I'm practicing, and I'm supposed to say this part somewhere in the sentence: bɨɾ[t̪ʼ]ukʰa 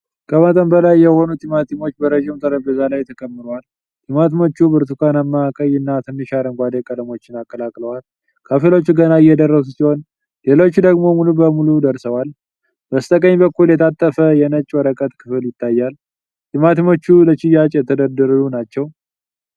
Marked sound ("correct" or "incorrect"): incorrect